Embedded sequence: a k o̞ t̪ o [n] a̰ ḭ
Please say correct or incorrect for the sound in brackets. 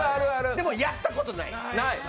correct